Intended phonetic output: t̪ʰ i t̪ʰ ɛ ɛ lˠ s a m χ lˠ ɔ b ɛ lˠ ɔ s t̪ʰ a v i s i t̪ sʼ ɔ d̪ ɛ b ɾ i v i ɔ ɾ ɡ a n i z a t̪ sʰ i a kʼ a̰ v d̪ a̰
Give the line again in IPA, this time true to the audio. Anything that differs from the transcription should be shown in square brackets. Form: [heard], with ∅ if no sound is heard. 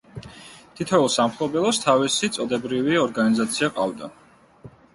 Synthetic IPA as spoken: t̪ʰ i t̪ʰ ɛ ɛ lˠ s a m χ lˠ ɔ b ɛ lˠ ɔ s t̪ʰ a v i s i t̪ sʼ ɔ d̪ ɛ b ɾ i v i ɔ ɾ ɡ a n i z a t̪ sʰ i a [qʼ] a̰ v d̪ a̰